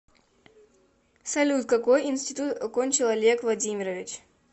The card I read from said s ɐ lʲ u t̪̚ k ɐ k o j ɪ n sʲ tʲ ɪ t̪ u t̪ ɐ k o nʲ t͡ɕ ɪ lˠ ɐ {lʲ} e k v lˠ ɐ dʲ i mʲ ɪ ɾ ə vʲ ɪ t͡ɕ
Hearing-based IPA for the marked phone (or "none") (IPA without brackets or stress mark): lʲ